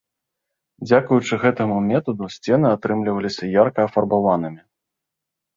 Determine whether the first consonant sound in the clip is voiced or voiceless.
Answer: voiced